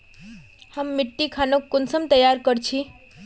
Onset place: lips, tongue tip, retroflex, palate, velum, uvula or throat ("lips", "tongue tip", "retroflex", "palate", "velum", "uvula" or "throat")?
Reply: throat